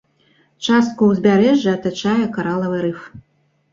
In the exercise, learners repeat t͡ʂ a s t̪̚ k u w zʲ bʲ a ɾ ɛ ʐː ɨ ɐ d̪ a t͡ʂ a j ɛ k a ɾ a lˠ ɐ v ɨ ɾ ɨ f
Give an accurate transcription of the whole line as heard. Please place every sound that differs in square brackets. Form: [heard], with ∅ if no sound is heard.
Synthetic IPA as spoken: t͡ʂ a s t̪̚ k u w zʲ bʲ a ɾ ɛ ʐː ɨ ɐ [t̪] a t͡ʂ a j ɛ k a ɾ a lˠ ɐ v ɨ ɾ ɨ f